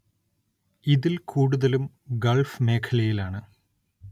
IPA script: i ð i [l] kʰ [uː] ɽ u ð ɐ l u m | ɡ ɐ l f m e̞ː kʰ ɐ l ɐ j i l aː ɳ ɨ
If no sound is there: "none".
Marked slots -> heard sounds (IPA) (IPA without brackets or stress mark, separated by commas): l, uː